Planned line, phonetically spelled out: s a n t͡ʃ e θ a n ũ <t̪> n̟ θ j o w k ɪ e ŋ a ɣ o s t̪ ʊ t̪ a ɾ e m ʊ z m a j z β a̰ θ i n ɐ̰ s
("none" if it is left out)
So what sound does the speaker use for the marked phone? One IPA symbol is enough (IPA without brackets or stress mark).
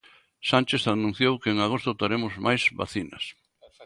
none